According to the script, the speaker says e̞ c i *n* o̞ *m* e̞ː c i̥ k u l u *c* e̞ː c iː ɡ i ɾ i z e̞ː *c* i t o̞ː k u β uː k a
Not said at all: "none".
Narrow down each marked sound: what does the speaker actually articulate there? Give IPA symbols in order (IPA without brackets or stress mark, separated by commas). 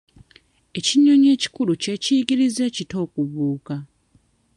ɲ, ɲ, c, c